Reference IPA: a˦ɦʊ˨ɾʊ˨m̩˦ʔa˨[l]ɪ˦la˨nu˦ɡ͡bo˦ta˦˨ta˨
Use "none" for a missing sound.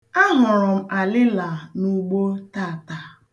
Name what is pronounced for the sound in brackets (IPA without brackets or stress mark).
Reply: l